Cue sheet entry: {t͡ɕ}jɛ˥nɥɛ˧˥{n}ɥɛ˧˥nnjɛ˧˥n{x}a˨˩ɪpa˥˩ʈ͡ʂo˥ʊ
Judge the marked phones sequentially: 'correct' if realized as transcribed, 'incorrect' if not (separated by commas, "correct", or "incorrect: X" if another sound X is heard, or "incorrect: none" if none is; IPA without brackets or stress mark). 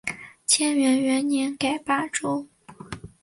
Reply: incorrect: t͡ɕʰ, correct, incorrect: k